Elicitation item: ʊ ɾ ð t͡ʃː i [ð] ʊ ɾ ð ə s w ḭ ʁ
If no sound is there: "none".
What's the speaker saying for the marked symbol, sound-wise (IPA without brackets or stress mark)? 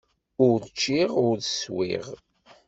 ʁ